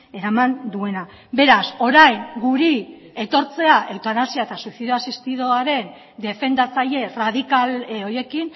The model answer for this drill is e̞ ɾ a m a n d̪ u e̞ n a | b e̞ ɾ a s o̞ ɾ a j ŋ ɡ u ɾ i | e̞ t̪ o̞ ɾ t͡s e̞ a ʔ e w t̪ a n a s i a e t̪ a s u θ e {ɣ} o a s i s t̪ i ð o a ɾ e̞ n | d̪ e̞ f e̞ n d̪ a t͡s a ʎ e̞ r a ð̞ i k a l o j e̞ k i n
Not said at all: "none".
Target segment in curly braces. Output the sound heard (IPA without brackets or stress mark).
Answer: ð